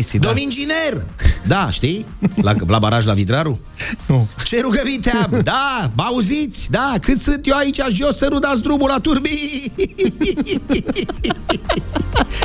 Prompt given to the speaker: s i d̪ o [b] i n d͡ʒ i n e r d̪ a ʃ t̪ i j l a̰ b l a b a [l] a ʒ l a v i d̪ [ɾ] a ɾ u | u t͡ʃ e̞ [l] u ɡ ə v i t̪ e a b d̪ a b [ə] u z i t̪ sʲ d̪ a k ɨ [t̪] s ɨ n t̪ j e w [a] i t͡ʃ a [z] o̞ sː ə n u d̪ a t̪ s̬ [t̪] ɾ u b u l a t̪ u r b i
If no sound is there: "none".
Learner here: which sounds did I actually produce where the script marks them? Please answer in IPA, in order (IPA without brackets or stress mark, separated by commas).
m, ɾ, ɾ, ɾ, a, t̪, a, ʒ, d̪